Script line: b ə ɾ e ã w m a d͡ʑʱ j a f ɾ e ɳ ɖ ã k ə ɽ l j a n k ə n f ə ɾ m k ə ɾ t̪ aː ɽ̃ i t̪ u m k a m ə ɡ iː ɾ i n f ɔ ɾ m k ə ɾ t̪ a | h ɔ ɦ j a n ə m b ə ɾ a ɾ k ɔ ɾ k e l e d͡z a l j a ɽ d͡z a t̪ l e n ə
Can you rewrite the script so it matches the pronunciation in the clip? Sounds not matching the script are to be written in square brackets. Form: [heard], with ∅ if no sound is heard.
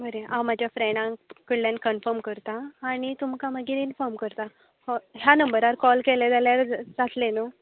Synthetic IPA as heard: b ə ɾ e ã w m a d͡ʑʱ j a f ɾ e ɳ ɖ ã k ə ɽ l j a n k ə n f ə ɾ m k ə ɾ t̪ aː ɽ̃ i t̪ u m k a m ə ɡ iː ɾ i n f ɔ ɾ m k ə ɾ t̪ a | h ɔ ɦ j a n ə m b ə ɾ a ɾ k ɔ [l] k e l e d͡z a l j a [ɾ] d͡z a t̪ l e n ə